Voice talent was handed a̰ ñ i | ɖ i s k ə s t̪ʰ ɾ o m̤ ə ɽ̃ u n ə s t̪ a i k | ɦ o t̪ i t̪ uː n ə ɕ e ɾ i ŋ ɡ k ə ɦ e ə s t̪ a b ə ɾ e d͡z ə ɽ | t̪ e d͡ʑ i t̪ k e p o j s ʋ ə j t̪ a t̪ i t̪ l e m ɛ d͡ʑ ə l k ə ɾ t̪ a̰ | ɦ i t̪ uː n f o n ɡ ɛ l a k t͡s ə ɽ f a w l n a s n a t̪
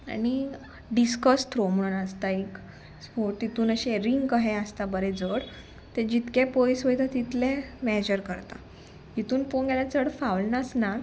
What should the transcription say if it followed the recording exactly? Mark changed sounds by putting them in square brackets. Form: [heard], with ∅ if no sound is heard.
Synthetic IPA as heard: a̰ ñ i | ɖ i s k ə s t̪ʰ ɾ o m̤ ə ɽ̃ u n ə s t̪ a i k | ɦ o t̪ i t̪ uː n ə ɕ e ɾ i ŋ ɡ k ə ɦ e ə s t̪ a b ə ɾ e d͡z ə ɽ | t̪ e d͡ʑ i t̪ k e p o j s ʋ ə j t̪ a t̪ i t̪ l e m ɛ d͡ʑ ə [ɾ] k ə ɾ t̪ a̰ | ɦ i t̪ uː n f o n ɡ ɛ l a [∅] t͡s ə ɽ f a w l n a s n a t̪